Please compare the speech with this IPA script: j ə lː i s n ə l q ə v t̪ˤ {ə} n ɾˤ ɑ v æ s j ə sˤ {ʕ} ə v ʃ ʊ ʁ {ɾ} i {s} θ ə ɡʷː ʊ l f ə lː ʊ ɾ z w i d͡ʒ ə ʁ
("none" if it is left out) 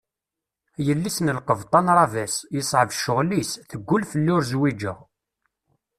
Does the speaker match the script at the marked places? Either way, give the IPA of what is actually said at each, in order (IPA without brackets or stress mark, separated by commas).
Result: ɑ, ʕ, l, s